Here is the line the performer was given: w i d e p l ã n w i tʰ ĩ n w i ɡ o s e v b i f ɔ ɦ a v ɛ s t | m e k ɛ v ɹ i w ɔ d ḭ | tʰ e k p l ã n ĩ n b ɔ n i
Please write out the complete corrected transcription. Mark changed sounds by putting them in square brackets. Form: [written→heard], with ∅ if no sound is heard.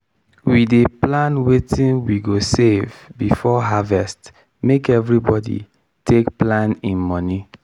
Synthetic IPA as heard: w i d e p l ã n w [i→e] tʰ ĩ n w i ɡ o s e v b i f ɔ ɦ a v ɛ s t | m e k ɛ v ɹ i [w→b] ɔ d ḭ | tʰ e k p l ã n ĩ n [b→m] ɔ n i

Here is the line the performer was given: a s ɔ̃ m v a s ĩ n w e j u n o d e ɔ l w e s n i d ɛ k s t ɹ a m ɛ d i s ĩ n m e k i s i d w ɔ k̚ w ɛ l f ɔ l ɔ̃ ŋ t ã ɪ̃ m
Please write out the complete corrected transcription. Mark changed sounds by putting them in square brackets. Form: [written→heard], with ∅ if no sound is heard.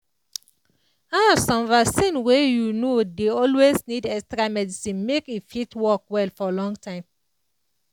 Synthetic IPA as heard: a s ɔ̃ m v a s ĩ n w e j u n o d e ɔ l w e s n i d ɛ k s t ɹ a m ɛ d i s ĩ n m e k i [s→f] i [d→t] w ɔ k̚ w ɛ l f ɔ l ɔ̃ ŋ t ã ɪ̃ m

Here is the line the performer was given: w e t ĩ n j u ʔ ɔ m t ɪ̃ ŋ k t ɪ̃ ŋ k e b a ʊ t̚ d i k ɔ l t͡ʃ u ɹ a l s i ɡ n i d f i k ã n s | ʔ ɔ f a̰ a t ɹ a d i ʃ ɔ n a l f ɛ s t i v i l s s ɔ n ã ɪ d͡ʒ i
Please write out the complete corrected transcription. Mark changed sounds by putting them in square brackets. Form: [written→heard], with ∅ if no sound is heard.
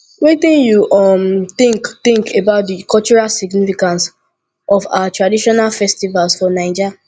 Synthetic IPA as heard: w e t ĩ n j u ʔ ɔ m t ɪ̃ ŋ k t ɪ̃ ŋ k e b a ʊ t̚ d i k ɔ l t͡ʃ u ɹ a l s i ɡ n i [d→∅] f i k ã n s | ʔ ɔ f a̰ a t ɹ a d i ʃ ɔ n a l f ɛ s t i v [i→a] l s [s→f] ɔ n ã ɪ d͡ʒ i

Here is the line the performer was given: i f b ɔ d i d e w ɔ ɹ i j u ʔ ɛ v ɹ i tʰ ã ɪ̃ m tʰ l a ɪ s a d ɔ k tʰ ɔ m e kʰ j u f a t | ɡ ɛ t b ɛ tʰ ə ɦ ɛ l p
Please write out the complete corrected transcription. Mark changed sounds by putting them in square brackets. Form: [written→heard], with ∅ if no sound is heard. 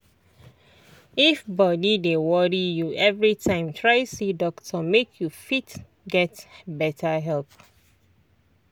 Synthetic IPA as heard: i f b ɔ d i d e w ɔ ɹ i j u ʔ ɛ v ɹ i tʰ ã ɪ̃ m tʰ [l→ɹ] a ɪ s [a→i] d ɔ k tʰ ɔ m e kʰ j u f [a→i] t | ɡ ɛ t b ɛ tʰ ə ɦ ɛ l p

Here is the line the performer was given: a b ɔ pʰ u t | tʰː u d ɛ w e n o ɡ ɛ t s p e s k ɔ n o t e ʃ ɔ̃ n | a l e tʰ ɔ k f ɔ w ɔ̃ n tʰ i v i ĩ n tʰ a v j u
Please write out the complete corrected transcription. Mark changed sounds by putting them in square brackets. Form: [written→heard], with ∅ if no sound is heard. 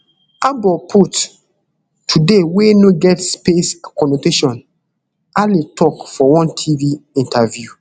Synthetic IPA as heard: a b ɔ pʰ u t | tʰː u d [ɛ→e] w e n o ɡ ɛ t s p e s k ɔ n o t e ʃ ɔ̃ n | a l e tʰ ɔ k f ɔ w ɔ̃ n tʰ i v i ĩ n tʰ a v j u

